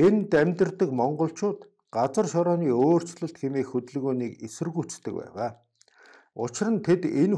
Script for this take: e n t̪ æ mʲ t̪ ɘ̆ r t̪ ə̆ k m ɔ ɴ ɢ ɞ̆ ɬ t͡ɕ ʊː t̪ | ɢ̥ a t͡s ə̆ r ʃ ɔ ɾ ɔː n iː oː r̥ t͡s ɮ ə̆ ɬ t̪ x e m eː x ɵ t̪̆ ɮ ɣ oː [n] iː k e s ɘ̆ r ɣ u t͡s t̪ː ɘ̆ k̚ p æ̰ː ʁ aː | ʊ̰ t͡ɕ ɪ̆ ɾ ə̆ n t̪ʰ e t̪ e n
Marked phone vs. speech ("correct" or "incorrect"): correct